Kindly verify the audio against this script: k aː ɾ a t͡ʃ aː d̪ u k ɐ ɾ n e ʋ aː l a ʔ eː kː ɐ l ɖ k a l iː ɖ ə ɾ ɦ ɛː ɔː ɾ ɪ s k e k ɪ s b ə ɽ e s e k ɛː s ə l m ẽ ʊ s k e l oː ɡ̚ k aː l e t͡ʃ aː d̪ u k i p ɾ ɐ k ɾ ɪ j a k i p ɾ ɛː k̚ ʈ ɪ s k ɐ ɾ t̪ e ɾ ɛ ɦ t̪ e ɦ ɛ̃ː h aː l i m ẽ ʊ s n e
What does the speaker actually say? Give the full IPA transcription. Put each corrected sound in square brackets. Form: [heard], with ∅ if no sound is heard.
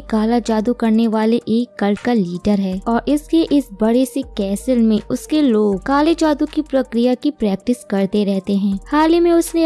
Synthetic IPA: k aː [l] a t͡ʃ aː d̪ u k ɐ ɾ n e ʋ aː l [e] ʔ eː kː ɐ l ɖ k a l iː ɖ ə ɾ ɦ ɛː ɔː ɾ ɪ s k e [ʔ] ɪ s b [ɐ] ɽ e s e k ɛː s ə l m ẽ ʊ s k e l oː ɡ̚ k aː l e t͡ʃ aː d̪ u k i p ɾ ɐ k ɾ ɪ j a k i p ɾ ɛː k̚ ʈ ɪ s k ɐ ɾ t̪ e ɾ ɛ ɦ t̪ e ɦ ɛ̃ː h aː l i m ẽ ʊ s n e